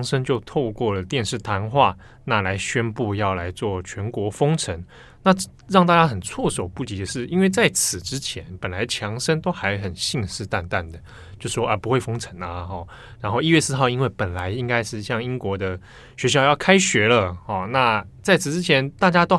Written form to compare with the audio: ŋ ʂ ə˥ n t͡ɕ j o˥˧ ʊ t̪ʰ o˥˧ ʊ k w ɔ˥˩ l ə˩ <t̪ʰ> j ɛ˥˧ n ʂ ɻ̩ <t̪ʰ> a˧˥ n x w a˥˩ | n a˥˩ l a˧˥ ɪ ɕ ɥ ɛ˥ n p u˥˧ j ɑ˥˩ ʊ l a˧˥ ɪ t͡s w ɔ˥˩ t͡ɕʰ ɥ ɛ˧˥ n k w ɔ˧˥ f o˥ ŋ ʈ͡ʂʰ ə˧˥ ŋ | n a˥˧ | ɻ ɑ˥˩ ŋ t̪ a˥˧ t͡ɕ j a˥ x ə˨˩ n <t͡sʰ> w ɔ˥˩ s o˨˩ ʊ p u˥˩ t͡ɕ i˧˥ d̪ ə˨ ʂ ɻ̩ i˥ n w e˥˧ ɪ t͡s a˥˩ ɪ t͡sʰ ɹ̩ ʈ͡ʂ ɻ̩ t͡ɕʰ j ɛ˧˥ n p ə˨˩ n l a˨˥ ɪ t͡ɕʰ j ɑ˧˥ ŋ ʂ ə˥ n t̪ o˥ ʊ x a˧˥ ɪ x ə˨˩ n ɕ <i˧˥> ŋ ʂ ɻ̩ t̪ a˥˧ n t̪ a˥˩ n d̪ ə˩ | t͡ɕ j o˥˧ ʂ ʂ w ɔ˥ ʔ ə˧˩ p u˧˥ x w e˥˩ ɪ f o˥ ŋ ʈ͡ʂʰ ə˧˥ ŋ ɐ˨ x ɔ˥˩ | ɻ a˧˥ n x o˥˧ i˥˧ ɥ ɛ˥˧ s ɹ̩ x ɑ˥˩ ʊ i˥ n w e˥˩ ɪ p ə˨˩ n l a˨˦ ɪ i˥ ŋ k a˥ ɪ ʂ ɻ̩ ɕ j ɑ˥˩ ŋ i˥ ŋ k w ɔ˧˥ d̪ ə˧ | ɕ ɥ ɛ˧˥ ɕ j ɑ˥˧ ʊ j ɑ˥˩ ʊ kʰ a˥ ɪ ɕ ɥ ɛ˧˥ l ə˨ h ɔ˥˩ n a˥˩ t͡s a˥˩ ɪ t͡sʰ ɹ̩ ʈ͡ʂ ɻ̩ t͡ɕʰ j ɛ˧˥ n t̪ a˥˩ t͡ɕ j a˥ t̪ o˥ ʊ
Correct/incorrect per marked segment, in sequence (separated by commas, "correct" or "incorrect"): incorrect, correct, correct, incorrect